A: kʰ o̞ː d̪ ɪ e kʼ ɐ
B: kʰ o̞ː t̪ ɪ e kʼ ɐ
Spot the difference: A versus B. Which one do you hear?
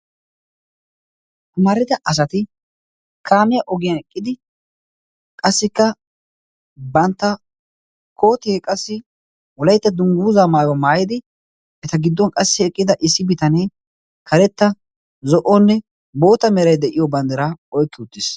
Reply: B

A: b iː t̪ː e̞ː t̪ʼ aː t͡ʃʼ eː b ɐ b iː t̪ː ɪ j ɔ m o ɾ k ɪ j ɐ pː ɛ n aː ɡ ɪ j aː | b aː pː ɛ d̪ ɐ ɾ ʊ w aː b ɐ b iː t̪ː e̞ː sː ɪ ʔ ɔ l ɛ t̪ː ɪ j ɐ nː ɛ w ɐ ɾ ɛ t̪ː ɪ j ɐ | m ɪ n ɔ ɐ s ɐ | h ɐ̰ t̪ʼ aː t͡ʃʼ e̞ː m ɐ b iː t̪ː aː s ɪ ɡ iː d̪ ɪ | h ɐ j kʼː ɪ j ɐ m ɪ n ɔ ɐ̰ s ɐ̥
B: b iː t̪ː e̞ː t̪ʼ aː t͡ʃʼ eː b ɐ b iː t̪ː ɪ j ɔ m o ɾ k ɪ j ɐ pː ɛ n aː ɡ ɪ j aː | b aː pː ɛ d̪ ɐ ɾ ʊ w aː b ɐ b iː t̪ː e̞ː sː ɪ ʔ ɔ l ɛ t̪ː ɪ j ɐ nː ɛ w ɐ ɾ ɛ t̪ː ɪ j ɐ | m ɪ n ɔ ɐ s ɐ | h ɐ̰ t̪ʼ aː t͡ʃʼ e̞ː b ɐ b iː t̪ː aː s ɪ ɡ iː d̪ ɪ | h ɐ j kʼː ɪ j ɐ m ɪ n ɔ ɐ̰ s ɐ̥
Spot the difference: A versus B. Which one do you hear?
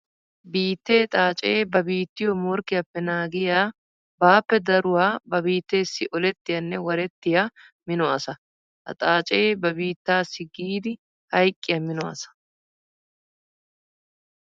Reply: B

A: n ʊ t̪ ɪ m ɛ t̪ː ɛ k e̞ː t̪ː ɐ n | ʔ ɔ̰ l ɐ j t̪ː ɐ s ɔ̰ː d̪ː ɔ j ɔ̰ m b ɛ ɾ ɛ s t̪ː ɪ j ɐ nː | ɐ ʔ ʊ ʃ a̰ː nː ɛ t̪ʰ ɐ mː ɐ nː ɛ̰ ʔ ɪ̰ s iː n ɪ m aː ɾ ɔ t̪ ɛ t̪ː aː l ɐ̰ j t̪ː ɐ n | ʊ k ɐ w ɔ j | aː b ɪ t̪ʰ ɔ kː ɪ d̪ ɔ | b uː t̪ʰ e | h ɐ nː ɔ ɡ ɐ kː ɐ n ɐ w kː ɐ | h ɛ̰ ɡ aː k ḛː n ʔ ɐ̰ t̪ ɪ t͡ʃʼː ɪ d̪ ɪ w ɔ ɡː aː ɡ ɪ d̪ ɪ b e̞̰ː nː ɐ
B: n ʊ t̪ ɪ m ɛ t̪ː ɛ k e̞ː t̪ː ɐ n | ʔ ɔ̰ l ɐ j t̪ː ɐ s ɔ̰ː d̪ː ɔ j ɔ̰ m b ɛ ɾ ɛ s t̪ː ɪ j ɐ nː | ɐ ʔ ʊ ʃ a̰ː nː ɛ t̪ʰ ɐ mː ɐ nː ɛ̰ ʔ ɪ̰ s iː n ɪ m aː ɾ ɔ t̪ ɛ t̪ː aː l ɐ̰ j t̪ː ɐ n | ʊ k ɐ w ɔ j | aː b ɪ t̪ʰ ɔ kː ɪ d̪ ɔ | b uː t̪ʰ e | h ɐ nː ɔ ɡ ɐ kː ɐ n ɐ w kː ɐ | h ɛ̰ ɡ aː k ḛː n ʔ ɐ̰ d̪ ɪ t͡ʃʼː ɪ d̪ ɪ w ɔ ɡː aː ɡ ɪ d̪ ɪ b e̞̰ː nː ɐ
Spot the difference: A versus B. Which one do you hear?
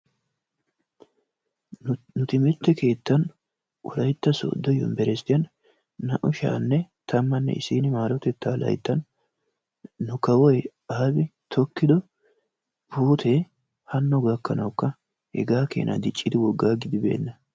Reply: B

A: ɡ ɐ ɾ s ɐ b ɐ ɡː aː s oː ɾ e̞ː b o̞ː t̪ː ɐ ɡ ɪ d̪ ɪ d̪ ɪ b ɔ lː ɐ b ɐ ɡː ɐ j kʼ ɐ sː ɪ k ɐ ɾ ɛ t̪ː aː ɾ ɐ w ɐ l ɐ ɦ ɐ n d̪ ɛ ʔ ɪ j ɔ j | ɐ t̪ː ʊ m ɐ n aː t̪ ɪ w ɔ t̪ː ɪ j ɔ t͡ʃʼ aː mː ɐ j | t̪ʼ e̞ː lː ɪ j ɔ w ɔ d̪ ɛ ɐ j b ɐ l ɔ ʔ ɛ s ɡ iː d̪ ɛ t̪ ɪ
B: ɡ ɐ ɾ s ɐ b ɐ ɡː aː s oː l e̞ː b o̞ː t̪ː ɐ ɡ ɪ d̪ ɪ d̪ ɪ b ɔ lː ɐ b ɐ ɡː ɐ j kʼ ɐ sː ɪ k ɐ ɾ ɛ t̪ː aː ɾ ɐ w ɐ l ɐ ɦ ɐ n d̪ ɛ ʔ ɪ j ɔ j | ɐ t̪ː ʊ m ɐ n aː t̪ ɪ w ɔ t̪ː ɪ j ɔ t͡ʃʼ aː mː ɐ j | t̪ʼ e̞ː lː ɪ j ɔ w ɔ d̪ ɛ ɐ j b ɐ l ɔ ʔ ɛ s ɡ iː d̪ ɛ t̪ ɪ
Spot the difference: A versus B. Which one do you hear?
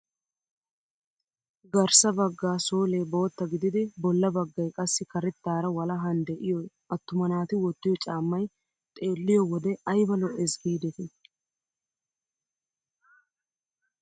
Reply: B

